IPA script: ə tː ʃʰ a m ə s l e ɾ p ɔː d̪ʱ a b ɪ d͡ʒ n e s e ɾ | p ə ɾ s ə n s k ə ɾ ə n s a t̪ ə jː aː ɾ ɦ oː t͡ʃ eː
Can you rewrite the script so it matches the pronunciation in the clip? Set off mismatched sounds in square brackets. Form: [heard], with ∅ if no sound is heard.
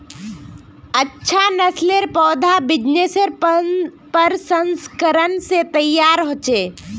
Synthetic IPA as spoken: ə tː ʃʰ a [n] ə s l e ɾ p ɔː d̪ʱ a b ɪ d͡ʒ n e s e ɾ | p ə ɾ s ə n s k ə ɾ ə n s [e] t̪ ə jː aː ɾ ɦ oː t͡ʃ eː